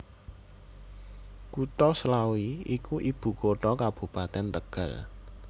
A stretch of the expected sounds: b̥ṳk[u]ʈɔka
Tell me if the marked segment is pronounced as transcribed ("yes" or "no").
no